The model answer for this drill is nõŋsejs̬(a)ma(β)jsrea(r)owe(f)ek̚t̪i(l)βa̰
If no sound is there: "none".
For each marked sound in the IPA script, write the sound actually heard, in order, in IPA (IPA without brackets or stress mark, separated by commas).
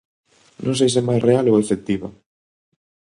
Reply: ɛ, none, l, f, none